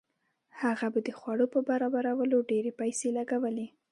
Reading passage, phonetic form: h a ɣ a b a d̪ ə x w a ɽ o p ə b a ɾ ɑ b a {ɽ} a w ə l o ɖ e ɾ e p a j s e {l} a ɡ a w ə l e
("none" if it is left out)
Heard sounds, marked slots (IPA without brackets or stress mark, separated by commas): ɾ, l